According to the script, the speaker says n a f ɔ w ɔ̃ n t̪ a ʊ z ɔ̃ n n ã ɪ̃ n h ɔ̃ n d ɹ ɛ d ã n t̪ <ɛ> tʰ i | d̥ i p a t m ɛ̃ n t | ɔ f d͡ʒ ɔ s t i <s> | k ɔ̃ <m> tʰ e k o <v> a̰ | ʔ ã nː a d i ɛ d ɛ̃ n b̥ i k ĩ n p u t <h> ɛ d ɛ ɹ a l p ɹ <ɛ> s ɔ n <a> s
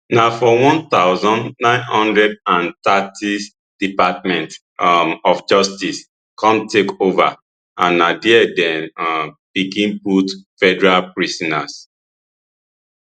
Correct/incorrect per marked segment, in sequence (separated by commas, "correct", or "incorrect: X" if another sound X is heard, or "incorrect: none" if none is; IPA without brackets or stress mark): incorrect: a, correct, correct, correct, incorrect: f, incorrect: i, correct